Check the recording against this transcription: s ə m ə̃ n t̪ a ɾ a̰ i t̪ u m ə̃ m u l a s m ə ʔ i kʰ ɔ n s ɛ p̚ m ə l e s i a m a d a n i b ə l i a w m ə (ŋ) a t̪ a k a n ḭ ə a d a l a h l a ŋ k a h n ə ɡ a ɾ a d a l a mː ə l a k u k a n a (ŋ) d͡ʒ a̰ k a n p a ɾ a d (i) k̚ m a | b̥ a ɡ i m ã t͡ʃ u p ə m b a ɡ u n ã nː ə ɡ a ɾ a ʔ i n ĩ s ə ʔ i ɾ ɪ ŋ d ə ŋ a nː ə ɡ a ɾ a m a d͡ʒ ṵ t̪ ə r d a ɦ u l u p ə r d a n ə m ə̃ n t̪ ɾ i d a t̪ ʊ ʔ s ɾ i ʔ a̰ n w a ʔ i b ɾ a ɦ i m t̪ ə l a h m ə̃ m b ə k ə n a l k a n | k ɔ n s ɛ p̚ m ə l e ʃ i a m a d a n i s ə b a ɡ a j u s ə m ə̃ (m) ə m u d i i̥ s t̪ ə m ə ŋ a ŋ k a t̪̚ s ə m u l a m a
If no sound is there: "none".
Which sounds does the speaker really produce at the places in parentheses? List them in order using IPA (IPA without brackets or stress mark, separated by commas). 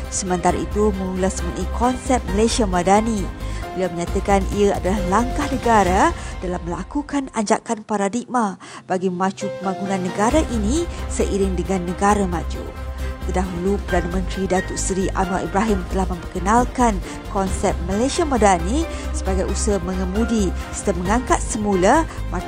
ɲ, ɲ, i, ŋ